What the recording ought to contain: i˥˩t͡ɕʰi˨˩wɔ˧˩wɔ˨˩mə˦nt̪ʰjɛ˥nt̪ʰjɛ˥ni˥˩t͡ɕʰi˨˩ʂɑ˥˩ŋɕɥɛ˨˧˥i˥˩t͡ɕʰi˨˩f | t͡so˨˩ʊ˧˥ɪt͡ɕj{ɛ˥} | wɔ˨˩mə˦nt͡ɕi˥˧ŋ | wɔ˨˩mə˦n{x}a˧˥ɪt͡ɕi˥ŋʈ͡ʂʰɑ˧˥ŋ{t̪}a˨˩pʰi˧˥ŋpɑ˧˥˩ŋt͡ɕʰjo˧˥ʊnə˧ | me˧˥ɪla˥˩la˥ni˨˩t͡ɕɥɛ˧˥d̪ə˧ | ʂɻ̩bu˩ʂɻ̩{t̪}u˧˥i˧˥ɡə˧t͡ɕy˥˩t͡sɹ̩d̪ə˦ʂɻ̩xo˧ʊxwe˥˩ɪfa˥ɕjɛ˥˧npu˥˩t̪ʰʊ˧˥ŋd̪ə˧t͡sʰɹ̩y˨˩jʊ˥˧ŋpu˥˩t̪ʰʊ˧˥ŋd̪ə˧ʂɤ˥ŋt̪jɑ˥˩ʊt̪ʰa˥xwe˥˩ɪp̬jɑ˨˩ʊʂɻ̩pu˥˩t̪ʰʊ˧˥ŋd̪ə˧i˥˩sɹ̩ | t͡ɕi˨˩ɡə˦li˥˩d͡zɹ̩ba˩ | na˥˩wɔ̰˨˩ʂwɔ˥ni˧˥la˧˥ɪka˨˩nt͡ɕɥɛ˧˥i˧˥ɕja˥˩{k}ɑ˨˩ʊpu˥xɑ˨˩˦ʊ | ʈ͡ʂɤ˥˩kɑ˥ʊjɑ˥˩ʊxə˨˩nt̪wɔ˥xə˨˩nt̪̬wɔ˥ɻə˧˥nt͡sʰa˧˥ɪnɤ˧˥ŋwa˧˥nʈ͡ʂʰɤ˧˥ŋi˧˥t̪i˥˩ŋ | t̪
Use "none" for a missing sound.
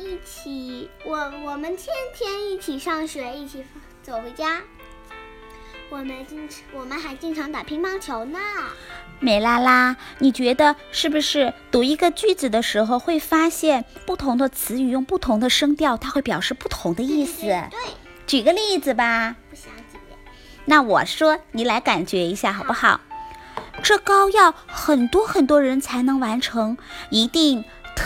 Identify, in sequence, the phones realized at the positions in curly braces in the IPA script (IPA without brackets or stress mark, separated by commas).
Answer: a˥, x, t̪, t̪, x